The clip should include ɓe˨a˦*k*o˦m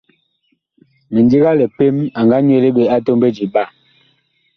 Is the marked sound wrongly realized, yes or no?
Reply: yes